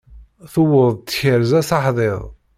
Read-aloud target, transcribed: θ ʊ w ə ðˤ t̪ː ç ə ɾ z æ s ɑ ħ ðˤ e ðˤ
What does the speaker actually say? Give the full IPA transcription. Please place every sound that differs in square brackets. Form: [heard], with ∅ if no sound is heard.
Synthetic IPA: θ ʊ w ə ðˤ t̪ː ç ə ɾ z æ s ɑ ħ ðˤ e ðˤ